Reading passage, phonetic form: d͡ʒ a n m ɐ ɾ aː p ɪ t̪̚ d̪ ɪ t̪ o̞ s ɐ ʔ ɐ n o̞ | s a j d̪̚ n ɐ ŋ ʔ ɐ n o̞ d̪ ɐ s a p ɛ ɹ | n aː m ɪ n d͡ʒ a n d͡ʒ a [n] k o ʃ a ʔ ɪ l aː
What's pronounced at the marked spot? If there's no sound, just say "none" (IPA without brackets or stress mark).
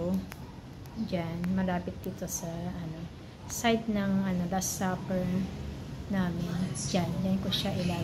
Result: n